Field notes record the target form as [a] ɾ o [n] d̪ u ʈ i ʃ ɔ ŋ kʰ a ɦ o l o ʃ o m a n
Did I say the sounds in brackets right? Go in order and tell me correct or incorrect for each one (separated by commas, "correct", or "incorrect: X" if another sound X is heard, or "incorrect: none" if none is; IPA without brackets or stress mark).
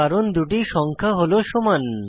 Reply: correct, correct